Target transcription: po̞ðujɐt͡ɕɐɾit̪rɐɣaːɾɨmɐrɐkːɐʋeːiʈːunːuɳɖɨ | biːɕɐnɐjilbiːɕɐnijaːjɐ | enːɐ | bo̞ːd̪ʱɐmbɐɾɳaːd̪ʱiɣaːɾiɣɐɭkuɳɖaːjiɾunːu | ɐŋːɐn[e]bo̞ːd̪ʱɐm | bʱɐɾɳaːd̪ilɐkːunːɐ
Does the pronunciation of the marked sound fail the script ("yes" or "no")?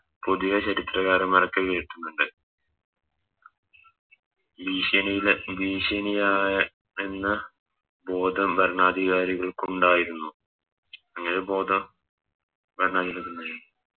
no